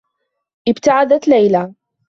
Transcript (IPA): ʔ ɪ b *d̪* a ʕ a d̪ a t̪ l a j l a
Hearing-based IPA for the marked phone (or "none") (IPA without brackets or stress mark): t̪